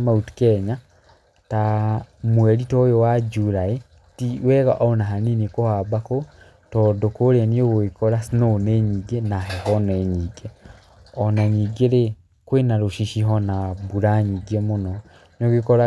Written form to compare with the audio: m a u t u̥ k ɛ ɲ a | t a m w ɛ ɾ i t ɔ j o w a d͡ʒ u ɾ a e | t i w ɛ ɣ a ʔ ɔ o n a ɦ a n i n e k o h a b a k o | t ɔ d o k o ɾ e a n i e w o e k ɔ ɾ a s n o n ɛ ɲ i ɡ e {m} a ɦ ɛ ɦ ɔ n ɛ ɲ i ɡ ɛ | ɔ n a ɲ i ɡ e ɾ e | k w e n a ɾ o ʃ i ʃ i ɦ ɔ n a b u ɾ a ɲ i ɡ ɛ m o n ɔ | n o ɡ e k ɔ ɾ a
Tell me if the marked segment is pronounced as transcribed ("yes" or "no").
no